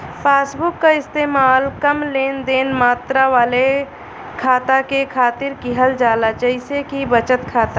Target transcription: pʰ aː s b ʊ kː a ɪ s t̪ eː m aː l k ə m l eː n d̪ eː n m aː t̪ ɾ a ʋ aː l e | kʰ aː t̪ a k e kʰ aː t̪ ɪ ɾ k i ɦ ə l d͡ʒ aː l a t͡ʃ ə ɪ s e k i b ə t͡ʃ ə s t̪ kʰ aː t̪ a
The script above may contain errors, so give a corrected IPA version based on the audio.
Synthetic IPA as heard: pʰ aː s b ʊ kː a ɪ s t̪ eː m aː l k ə m l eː n d̪ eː n m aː t̪ ɾ a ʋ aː l e | kʰ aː t̪ a k e kʰ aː t̪ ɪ ɾ k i ɦ ə l d͡ʒ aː l a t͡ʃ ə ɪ s e k i b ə t͡ʃ ə t̪ kʰ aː t̪ a